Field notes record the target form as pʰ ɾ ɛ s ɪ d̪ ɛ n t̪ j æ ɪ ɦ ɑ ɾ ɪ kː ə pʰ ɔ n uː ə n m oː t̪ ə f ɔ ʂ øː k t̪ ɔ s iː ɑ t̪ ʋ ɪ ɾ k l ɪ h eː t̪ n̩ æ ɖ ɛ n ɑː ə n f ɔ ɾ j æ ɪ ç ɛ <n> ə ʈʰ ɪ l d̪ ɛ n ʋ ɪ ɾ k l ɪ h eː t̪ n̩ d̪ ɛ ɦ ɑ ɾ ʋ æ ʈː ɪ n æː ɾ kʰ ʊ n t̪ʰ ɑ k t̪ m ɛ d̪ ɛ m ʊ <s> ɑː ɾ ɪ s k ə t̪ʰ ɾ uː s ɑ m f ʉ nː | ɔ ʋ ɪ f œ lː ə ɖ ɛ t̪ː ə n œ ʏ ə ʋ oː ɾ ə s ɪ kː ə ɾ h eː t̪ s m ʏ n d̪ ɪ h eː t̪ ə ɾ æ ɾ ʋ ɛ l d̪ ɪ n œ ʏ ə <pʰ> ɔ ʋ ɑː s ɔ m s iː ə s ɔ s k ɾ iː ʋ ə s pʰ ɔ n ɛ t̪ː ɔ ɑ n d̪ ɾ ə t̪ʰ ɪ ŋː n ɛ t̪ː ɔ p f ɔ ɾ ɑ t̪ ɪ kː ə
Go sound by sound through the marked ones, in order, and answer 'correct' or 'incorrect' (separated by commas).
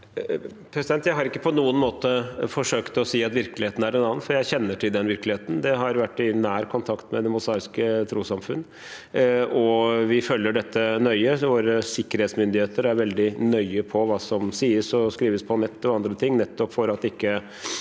incorrect, correct, correct